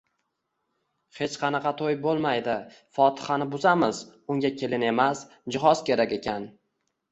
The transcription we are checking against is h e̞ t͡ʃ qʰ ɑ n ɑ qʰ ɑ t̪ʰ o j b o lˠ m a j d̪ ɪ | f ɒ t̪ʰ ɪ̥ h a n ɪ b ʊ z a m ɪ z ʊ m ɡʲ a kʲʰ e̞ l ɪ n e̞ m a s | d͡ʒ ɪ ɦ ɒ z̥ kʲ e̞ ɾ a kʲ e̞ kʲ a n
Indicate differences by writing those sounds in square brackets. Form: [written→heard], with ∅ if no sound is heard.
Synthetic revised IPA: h e̞ t͡ʃ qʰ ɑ n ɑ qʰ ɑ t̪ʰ o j b o lˠ m a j d̪ ɪ | f ɒ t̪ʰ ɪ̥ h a n ɪ b ʊ z a m ɪ z ʊ [m→ŋ] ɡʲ a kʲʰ e̞ l ɪ n e̞ m a s | d͡ʒ ɪ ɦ ɒ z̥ kʲ e̞ ɾ a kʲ e̞ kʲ a n